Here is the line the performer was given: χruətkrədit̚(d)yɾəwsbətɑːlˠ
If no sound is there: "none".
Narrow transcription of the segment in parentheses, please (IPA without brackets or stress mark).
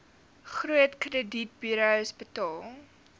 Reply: b